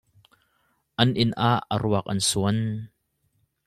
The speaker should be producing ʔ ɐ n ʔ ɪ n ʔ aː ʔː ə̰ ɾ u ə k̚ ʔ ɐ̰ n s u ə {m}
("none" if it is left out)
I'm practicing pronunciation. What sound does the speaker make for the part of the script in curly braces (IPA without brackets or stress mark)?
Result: n